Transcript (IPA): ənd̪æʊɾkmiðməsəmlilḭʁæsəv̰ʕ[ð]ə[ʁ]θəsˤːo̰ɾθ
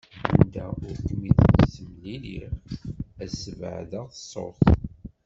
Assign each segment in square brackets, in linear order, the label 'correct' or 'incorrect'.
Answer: correct, correct

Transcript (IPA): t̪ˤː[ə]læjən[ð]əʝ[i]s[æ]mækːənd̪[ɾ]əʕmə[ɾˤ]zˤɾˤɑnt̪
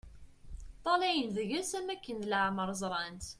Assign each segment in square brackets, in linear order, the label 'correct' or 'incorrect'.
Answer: incorrect: ɑ, correct, incorrect: æ, correct, incorrect: l, correct

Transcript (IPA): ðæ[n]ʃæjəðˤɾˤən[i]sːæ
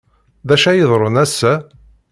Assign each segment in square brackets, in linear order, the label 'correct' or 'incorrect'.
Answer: incorrect: none, incorrect: æ

